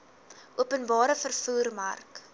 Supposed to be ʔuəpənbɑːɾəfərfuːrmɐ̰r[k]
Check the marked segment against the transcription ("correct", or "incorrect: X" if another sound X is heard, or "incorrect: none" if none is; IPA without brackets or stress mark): correct